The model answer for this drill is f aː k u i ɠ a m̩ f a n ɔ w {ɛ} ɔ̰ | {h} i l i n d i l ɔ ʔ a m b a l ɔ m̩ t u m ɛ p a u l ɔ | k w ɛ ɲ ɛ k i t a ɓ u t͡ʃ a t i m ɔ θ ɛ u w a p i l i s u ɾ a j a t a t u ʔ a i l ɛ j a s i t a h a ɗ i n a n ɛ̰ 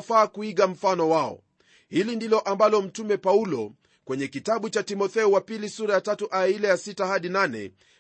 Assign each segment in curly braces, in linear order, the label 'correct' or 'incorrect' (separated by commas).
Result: incorrect, correct